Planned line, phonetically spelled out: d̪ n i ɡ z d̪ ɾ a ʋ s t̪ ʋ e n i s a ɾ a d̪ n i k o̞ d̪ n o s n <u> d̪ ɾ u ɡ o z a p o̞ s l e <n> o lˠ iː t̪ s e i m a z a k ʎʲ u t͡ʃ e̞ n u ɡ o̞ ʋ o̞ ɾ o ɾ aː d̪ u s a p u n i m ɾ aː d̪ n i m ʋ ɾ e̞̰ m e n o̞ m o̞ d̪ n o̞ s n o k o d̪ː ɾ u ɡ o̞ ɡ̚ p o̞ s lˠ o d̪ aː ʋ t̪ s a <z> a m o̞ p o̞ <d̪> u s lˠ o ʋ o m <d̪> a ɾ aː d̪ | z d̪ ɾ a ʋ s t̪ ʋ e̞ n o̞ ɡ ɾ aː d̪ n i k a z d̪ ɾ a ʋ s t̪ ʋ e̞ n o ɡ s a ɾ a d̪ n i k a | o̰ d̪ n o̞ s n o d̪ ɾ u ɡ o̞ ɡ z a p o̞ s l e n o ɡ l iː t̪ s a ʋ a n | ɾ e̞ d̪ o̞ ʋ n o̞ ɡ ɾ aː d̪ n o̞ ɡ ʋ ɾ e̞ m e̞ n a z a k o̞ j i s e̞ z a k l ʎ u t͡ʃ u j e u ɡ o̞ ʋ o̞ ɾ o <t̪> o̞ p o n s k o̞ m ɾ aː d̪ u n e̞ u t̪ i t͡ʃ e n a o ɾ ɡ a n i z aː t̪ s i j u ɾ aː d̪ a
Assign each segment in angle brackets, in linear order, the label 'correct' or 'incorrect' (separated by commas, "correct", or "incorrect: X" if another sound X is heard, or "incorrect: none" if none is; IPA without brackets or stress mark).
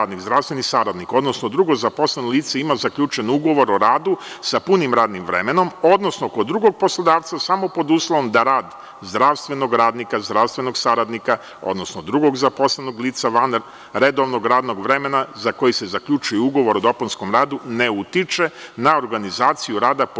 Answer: incorrect: o, correct, incorrect: s, correct, correct, incorrect: d̪